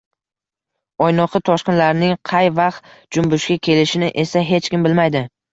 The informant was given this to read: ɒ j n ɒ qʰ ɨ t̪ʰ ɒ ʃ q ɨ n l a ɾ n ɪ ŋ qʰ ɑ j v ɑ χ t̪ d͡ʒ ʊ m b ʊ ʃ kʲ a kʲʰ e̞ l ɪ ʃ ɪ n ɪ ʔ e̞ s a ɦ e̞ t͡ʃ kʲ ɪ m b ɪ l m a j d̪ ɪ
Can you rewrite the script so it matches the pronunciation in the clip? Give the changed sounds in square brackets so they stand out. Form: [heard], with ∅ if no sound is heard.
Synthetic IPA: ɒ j n ɒ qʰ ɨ t̪ʰ ɒ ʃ q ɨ n l a ɾ n ɪ ŋ qʰ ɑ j v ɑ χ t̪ d͡ʒ ʊ m b ʊ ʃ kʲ a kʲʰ e̞ l ɪ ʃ ɪ n ɪ ʔ e̞ s a ɦ e̞ t͡ʃ kʲ ɪ m b ɪ l m a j d̪ ɪ